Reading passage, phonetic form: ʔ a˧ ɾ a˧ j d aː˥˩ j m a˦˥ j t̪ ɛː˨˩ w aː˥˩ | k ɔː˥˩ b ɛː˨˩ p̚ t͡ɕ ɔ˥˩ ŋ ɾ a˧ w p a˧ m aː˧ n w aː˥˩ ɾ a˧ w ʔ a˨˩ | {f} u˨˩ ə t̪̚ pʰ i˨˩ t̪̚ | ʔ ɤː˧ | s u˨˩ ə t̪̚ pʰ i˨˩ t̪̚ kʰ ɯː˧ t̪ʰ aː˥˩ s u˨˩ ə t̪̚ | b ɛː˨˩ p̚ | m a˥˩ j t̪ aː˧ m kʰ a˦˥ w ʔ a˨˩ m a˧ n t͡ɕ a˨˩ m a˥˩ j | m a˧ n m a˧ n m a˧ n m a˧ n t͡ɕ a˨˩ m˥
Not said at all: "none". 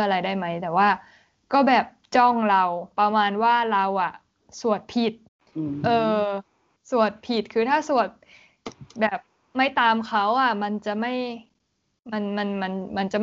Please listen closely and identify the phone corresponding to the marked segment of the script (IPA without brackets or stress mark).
s